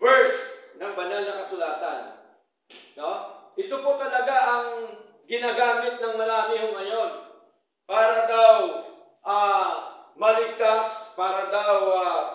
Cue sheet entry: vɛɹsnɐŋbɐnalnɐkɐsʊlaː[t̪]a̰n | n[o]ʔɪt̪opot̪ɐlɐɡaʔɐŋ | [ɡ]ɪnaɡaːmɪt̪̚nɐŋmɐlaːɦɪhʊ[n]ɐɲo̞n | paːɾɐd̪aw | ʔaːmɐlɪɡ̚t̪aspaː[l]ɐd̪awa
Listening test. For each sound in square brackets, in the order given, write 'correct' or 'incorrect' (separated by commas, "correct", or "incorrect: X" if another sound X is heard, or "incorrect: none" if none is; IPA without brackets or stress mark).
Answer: correct, correct, correct, incorrect: ŋ, incorrect: ɾ